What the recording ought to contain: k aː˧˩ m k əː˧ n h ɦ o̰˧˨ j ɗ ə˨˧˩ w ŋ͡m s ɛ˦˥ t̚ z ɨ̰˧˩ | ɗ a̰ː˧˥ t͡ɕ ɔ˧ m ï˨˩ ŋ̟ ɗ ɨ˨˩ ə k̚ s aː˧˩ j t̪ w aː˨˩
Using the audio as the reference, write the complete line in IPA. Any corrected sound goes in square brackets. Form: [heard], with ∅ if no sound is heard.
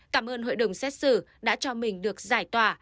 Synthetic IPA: k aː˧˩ m [ʔ] əː˧ n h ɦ o̰˧˨ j ɗ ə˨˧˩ w ŋ͡m s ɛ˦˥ t̚ [s] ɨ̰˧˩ | ɗ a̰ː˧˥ t͡ɕ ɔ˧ m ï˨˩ ŋ̟ ɗ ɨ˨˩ ə k̚ [z] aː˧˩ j t̪ w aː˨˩